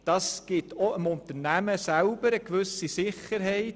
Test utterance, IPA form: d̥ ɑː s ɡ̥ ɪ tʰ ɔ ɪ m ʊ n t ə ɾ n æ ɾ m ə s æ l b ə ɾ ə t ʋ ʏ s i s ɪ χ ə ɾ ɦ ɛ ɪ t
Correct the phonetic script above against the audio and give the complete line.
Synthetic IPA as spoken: d̥ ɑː s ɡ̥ ɪ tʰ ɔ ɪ m ʊ n t ə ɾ n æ m ə s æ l b ə ɾ ə k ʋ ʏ s i s ɪ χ ə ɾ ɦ ɛ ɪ t